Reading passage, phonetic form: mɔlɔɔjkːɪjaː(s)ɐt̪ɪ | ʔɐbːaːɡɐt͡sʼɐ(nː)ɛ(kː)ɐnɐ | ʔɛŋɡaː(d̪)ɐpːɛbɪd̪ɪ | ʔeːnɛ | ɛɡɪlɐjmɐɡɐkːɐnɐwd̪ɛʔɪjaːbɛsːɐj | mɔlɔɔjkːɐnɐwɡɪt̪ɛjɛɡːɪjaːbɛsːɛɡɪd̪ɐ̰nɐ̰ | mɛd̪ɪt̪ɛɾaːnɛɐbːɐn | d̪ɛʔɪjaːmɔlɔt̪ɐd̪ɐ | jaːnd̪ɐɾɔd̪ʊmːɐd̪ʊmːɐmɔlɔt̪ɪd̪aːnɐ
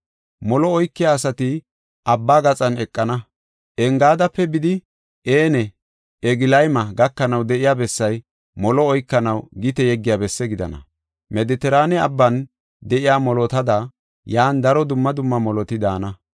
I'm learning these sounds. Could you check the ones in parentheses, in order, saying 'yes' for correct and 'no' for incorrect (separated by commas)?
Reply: yes, no, no, yes